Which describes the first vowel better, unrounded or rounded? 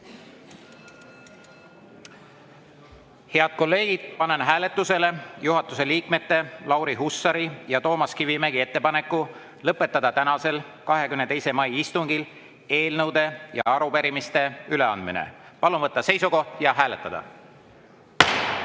unrounded